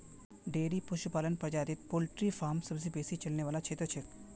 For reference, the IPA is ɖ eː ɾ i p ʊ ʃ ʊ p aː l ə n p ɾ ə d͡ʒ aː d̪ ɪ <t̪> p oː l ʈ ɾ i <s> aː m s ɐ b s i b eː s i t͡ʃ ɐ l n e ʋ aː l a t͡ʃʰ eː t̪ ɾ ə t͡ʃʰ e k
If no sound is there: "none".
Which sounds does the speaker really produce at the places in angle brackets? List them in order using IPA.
t̪, f

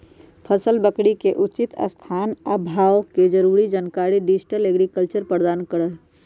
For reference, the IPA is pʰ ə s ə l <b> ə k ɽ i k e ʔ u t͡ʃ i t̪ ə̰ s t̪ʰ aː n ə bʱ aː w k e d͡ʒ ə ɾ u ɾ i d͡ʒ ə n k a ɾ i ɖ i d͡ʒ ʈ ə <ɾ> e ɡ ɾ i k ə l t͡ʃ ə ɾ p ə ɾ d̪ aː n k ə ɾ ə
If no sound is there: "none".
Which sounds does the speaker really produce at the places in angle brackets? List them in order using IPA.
b, l

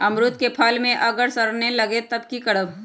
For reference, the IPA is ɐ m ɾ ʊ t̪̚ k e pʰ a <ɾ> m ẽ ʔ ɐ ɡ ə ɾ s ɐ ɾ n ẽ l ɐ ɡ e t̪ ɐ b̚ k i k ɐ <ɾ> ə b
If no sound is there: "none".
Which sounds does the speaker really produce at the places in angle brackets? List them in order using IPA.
l, ɽ

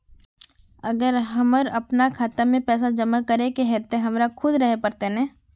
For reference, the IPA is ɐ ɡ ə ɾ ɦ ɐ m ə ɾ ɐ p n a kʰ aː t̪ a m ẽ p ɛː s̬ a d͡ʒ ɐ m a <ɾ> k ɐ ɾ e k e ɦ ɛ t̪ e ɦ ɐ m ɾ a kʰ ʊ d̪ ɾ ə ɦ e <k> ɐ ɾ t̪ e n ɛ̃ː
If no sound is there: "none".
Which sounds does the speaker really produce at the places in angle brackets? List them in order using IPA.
none, p

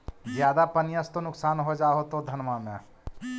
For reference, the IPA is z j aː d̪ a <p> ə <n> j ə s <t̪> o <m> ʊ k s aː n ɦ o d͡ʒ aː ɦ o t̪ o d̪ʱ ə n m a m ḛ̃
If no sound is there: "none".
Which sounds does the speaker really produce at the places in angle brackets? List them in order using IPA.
p, n, t̪, n

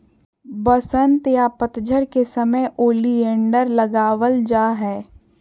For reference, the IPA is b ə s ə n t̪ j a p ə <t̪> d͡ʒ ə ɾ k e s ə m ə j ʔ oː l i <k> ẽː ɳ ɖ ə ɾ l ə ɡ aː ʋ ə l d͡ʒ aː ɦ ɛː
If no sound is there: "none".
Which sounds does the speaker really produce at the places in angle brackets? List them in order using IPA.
t̪, none

